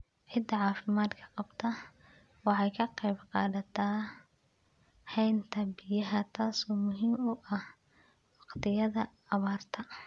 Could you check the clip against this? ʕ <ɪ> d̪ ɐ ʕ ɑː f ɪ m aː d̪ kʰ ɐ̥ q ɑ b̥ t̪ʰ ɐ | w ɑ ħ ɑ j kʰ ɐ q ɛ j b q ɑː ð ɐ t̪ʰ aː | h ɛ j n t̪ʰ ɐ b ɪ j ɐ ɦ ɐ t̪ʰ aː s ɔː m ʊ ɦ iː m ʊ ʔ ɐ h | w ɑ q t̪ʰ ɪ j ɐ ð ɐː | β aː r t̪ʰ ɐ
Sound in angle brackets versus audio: correct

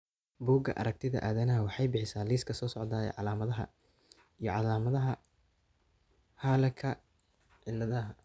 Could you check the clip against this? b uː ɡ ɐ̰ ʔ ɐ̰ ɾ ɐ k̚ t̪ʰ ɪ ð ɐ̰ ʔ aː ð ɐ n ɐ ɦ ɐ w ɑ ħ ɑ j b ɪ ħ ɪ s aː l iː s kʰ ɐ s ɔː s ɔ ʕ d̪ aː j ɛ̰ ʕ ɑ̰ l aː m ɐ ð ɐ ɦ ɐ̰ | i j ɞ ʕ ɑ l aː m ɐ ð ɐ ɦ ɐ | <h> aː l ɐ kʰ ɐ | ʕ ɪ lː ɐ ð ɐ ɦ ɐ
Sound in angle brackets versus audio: correct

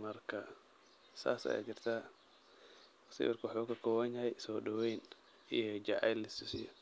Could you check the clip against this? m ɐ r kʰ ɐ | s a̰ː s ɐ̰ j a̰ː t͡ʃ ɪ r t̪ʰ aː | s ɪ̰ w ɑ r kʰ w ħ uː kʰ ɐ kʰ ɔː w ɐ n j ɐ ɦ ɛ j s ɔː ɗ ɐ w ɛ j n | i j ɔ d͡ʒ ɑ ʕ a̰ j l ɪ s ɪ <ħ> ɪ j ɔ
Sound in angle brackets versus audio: incorrect: s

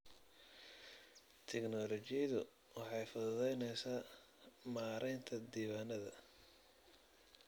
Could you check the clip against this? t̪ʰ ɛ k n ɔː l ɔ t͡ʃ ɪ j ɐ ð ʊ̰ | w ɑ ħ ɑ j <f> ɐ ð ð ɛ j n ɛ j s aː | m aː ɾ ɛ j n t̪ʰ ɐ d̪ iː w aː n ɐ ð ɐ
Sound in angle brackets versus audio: correct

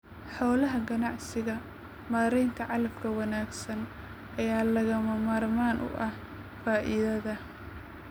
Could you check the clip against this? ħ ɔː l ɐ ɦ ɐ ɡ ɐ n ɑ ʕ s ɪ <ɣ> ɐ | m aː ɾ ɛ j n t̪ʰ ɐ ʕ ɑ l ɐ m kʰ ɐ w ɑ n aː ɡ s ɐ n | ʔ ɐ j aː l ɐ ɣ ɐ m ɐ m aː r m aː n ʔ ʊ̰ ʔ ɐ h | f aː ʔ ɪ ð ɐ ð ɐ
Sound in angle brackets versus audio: correct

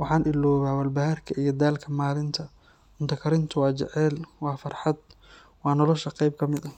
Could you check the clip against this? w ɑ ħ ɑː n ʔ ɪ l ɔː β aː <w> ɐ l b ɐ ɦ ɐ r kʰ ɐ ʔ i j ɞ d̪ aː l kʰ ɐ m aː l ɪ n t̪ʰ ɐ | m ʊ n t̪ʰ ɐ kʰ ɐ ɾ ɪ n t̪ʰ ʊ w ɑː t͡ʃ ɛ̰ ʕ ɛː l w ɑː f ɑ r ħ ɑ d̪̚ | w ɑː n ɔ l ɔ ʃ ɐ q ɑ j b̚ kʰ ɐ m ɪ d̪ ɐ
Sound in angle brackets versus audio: correct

